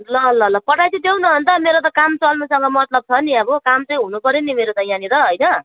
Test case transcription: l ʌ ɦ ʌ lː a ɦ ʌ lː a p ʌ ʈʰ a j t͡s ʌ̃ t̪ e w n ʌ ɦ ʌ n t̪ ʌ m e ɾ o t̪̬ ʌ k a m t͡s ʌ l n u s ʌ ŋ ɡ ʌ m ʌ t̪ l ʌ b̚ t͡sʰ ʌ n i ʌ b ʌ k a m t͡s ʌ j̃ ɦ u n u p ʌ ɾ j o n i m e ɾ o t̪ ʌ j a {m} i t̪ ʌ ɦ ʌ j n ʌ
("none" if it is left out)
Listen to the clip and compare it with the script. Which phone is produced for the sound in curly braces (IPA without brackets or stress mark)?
n